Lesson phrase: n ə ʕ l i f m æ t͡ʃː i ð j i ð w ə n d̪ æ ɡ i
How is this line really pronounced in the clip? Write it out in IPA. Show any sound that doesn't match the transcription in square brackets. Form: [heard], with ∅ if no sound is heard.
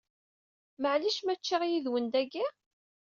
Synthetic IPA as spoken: [m] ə ʕ l i [ʃ] m æ t͡ʃː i [ʁ] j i ð w ə n d̪ æ ɡ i